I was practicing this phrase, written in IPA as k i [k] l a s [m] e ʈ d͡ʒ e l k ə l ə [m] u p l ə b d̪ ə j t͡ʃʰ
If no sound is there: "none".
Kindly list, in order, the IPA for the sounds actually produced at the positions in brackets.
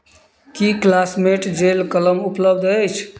k, m, m

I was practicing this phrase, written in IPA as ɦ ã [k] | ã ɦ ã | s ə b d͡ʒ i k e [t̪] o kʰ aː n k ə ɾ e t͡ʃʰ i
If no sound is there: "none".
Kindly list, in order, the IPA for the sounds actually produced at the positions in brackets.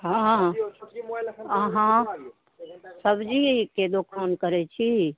none, d̪

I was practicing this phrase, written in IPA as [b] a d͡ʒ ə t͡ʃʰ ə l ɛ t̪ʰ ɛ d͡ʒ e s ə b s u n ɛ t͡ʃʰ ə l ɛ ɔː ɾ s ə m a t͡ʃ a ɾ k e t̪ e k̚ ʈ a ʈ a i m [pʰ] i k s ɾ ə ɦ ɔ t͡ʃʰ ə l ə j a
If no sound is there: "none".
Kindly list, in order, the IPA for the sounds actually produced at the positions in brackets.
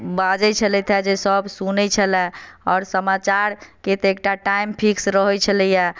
b, pʰ

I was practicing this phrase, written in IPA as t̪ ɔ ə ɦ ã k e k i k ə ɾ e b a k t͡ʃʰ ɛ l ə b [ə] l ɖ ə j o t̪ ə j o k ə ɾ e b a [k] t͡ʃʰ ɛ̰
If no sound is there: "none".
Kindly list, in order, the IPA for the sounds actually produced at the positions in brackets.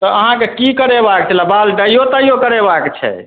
a, k

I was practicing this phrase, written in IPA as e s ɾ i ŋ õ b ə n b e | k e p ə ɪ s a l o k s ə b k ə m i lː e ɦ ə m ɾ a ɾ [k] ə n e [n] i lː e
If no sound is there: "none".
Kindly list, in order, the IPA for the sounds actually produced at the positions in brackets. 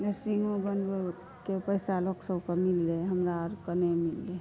k, m

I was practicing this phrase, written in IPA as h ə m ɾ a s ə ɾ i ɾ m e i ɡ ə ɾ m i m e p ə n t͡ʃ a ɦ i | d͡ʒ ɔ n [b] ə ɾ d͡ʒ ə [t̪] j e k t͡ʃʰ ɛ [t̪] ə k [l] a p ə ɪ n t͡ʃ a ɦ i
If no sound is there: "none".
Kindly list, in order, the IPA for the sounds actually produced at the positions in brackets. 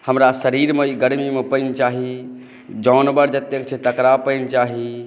b, t̪, t̪, ɾ

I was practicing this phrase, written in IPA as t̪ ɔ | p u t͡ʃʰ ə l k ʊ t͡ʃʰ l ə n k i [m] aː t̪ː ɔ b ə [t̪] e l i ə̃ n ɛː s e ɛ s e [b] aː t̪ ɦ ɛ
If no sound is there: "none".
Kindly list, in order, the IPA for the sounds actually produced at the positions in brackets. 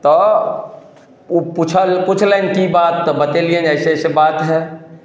b, t̪, b

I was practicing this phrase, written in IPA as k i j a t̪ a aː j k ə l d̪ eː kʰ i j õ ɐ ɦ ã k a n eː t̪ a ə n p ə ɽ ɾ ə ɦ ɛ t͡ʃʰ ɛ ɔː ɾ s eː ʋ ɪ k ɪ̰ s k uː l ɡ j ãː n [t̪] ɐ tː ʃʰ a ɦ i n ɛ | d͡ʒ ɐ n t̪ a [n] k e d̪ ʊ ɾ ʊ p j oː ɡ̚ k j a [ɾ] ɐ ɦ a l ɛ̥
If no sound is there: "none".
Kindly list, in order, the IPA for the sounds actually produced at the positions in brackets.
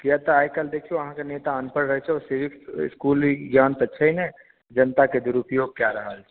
t̪, none, ɾ

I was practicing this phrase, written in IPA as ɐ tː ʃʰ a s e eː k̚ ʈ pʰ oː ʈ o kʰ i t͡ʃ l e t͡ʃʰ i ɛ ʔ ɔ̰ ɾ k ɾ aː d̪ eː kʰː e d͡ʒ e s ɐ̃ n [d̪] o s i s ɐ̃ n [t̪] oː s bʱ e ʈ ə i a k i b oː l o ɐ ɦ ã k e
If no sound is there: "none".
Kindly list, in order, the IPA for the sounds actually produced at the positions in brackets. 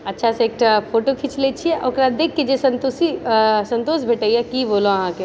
t̪, t̪

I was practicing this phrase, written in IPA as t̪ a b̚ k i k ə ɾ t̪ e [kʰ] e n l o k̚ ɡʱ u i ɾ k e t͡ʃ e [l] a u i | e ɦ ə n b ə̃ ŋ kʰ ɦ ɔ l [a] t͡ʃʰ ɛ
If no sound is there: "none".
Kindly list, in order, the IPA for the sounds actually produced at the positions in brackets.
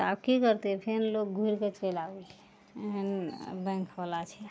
pʰ, l, a

